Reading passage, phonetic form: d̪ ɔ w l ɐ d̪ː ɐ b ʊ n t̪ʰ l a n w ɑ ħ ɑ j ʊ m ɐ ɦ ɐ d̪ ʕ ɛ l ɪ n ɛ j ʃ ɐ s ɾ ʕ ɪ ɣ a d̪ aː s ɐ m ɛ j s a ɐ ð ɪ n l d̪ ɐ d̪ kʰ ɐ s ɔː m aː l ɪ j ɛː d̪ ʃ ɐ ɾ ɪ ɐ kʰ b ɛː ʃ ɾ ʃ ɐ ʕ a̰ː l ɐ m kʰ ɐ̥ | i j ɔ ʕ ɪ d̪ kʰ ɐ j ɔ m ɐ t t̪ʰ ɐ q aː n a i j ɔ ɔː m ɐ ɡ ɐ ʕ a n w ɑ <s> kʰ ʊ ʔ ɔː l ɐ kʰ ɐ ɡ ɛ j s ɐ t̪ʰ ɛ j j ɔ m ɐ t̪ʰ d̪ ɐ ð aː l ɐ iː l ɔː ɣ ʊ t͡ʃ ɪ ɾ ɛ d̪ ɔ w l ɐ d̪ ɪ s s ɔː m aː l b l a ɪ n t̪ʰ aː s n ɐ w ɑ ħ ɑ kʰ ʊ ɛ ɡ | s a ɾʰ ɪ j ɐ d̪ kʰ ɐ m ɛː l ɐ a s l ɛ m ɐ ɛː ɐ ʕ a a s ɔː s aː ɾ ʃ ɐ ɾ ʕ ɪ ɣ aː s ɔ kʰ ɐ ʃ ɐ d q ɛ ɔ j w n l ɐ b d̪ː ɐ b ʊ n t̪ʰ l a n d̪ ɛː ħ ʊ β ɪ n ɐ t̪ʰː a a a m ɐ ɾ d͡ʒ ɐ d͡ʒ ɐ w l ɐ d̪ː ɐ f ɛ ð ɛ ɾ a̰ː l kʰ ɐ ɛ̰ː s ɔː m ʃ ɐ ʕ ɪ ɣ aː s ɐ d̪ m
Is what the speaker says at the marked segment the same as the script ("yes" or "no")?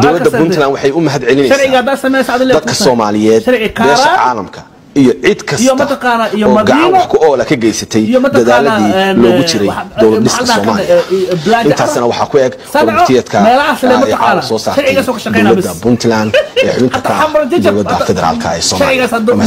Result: no